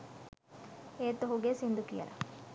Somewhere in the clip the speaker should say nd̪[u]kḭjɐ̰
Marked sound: correct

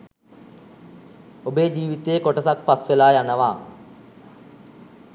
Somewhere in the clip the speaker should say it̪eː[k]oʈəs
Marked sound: correct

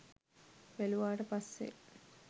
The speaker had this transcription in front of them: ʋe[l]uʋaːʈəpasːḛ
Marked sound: correct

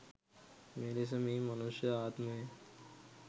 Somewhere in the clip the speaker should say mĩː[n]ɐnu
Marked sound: incorrect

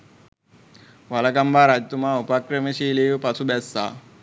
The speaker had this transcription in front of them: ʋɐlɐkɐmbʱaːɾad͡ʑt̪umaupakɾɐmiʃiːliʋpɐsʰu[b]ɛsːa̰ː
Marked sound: correct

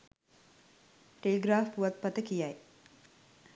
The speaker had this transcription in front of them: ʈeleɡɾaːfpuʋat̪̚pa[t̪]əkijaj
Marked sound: correct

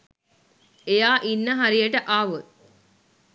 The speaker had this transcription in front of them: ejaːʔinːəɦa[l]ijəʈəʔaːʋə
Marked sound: incorrect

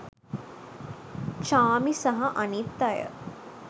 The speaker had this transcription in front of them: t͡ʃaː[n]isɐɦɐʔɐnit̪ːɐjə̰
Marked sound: incorrect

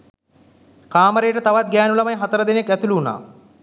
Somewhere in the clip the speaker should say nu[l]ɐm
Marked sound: correct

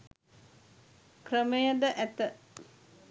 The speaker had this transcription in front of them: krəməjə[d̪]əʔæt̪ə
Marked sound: correct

